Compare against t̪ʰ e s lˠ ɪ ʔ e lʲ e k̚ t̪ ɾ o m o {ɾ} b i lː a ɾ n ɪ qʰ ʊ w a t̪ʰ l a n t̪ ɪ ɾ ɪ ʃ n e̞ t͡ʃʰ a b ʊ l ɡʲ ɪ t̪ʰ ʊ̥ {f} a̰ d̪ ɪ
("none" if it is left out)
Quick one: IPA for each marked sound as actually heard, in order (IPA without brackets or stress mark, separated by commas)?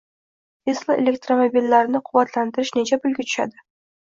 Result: none, ʃ